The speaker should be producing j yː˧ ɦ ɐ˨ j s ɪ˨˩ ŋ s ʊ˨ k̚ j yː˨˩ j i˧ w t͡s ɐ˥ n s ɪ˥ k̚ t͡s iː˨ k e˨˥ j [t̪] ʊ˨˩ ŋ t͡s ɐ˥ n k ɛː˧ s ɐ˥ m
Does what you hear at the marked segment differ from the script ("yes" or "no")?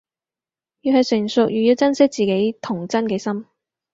yes